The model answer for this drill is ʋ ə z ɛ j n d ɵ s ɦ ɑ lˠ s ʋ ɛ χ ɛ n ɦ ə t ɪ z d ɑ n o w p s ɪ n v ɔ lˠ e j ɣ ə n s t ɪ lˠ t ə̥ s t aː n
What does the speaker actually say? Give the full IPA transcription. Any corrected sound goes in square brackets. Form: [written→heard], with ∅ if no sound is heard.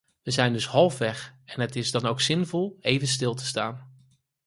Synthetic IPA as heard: ʋ ə z ɛ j n d ɵ s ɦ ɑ lˠ [s→f] ʋ ɛ χ ɛ n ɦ ə t ɪ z d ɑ n o w [p→k] s ɪ n v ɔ lˠ e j [ɣ→v] ə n s t ɪ lˠ t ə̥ s t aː n